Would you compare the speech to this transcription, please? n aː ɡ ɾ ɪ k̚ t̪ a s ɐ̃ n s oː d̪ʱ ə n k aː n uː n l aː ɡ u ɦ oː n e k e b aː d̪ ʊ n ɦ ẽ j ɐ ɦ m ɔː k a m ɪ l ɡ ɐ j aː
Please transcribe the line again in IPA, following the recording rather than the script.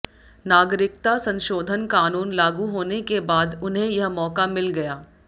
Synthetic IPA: n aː ɡ ɾ ɪ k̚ t̪ a s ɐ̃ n ʃ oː d̪ʱ ə n k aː n uː n l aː ɡ u ɦ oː n e k e b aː d̪ ʊ n ɦ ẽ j ɐ ɦ m ɔː k a m ɪ l ɡ ɐ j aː